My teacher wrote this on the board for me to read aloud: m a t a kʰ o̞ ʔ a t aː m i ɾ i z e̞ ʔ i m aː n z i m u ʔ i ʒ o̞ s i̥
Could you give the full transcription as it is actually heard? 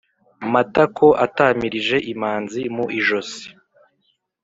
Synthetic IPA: m a t a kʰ o̞ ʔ a t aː m i ɾ i ʒ e̞ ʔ i m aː n z i m u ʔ i ʒ o̞ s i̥